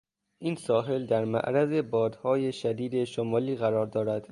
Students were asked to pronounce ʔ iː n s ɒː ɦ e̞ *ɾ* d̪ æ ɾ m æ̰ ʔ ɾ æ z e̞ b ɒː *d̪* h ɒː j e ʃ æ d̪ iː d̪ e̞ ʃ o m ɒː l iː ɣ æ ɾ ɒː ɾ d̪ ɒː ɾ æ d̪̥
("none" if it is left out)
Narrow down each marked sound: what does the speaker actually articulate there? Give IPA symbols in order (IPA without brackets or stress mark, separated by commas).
l, d̪